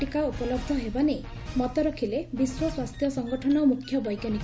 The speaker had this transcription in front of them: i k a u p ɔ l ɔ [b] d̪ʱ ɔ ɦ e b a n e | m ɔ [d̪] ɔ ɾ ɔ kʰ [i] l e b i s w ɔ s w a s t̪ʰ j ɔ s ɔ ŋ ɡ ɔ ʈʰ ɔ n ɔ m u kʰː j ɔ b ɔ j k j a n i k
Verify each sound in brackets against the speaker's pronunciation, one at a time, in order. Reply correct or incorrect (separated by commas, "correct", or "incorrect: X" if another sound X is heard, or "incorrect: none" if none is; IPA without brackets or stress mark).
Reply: correct, incorrect: t̪, correct